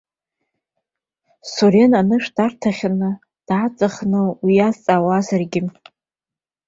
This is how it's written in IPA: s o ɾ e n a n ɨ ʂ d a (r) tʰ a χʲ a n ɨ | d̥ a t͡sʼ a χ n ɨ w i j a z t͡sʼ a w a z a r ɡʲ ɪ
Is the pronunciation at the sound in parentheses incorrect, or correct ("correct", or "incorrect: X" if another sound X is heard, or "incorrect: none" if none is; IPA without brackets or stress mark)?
correct